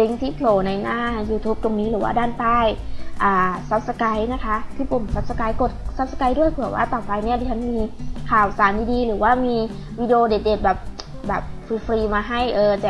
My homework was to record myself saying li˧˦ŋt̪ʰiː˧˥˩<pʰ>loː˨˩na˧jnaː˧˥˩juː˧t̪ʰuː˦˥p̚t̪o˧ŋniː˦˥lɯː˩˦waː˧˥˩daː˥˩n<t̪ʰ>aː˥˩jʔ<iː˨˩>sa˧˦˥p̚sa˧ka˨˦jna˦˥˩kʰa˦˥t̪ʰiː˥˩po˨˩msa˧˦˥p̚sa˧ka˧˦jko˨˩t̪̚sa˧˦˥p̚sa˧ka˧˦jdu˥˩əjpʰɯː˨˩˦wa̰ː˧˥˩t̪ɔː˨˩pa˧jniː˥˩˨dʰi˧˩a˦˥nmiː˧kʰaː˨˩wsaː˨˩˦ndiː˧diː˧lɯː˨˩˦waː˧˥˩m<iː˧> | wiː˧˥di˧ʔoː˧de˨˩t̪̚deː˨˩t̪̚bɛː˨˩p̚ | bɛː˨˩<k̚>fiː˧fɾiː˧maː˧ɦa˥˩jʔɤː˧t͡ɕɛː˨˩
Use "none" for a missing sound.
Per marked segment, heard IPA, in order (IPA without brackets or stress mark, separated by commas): pʰ, t̪, aː˨˩, iː˧, p̚